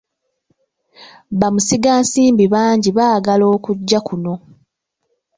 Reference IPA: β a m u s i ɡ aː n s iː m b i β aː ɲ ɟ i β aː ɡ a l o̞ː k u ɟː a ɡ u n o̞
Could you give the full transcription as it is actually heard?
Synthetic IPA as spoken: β a m u s i ɡ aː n s iː m b i β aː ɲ ɟ i β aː ɡ a l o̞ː k u ɟː a k u n o̞

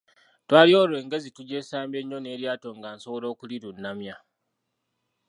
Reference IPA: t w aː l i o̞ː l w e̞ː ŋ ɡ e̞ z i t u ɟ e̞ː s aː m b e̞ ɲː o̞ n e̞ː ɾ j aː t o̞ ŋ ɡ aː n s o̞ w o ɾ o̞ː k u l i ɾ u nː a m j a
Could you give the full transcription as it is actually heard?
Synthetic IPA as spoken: t w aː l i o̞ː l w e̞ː ŋ ɡ e̞ z i t u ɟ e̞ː s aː m b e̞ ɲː o̞ n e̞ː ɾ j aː t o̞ ŋ ɡ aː n s o̞ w o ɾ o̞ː k u l i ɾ u nː a m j a

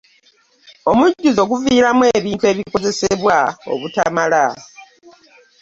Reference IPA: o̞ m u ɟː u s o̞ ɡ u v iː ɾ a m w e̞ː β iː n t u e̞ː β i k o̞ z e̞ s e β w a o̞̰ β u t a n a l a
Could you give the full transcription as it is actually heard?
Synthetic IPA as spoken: o̞ m u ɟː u z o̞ ɡ u v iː ɾ a m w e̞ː β iː n t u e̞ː β i k o̞ z e̞ s e β w a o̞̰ β u t a m a l a

